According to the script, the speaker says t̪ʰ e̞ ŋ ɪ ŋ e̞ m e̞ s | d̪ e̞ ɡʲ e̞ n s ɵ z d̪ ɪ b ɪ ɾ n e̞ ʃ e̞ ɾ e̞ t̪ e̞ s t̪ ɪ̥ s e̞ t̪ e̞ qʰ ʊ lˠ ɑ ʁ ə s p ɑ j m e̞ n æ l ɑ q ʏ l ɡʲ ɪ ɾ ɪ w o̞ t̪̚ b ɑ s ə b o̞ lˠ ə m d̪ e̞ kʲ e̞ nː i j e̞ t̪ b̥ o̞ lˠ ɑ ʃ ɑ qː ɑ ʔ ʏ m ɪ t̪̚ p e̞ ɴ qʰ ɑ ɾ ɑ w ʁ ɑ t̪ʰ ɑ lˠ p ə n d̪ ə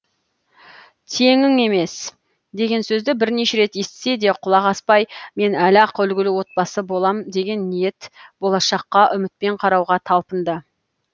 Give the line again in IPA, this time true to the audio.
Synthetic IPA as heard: t̪ʰ e̞ ŋ ɪ ŋ e̞ m e̞ s | d̪ e̞ ɡʲ e̞ n s ɵ z d̪ ɪ b ɪ ɾ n e̞ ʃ e̞ ɾ e̞ t̪ e̞ s t̪ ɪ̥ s e̞ d̪ e̞ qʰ ʊ lˠ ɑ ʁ ɑ s p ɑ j m e̞ n æ l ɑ q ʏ l ɡʲ ɪ l ɪ w o̞ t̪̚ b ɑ s ə b o̞ lˠ ɑ m d̪ e̞ ɡʲ e̞ nː i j e̞ t̪ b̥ o̞ lˠ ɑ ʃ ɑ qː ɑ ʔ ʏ m ɪ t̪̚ p e̞ ɴ qʰ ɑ ɾ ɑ w ʁ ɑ t̪ʰ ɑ lˠ p ə n d̪ ə